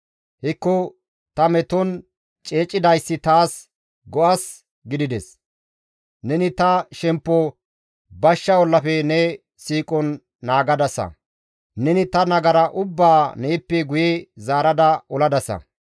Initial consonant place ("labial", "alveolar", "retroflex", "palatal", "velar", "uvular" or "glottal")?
glottal